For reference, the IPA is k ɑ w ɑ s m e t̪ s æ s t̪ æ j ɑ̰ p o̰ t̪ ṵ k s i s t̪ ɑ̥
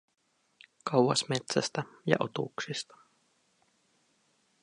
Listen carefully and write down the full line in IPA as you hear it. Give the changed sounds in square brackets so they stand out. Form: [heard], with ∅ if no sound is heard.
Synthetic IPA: k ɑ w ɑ s m e t̪ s æ s t̪ æ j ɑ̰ [ʔ] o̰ t̪ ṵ k s i s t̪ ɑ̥